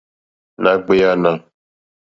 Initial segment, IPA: n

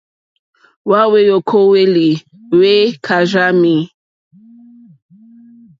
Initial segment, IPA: w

